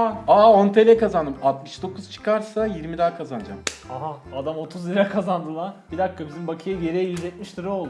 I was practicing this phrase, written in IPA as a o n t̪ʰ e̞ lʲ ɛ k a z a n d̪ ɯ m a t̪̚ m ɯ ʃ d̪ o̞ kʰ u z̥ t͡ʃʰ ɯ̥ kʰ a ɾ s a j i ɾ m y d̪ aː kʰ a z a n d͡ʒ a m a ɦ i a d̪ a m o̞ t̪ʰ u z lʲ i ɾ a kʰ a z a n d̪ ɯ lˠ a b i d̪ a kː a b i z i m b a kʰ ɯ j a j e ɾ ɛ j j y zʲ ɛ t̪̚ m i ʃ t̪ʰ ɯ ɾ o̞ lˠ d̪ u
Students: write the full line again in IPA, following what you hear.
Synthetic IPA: a o n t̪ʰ e̞ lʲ ɛ k a z a n d̪ ɯ m a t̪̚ m ɯ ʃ d̪ o̞ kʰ u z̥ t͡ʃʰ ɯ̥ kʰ a ɾ s a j i ɾ m i d̪ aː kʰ a z a n d͡ʒ a m a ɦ a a d̪ a m o̞ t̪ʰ u z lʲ i ɾ a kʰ a z a n d̪ ɯ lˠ a b i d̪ a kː a b i z i m b a kʰ ɯ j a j e ɾ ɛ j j y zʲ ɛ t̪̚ m i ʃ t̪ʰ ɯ ɾ o̞ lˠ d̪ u